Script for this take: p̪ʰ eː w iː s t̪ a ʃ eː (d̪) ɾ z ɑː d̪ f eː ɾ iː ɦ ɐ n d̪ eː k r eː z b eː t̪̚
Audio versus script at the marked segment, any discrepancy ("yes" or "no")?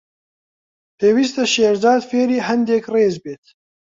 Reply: yes